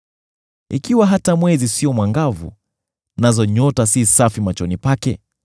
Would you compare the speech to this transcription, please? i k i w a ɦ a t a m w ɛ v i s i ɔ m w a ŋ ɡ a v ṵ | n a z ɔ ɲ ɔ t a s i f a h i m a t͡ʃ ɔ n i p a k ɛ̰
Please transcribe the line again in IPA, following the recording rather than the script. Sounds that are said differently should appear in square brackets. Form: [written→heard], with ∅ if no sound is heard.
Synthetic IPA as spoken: i k i w a ɦ a t a m w ɛ [v→z] i s i ɔ m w a ŋ ɡ a v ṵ | n a z ɔ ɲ ɔ t a s i [f→s] a [h→f] i m a t͡ʃ ɔ n i p a k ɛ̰